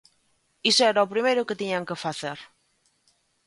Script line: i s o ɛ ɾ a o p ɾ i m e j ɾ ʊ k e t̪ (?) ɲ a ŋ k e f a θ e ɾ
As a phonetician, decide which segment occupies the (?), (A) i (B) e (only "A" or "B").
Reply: A